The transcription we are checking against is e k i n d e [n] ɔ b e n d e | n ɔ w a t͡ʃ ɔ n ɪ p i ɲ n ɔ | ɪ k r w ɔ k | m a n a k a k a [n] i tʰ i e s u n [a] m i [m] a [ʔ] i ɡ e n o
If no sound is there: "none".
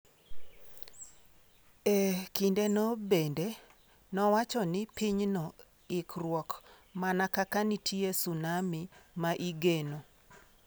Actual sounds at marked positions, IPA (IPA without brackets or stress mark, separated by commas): n, n, a, m, ʔ